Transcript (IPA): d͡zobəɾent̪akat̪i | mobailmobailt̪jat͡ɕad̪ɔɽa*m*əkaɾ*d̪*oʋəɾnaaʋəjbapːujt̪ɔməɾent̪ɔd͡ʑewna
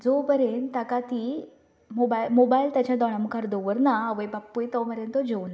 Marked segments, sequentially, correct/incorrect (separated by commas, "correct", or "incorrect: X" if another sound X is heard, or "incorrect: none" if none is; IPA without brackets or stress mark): correct, correct